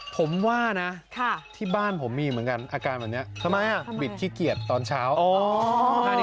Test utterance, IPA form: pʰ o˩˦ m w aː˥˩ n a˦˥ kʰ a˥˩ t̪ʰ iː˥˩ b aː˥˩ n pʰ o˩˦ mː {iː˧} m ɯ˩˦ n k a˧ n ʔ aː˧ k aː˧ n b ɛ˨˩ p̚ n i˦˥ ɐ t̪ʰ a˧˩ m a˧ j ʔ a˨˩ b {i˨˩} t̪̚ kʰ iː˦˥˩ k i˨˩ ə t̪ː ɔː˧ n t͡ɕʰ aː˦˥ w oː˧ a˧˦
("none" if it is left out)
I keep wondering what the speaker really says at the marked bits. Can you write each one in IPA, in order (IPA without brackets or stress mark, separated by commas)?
iː˧, i˨˩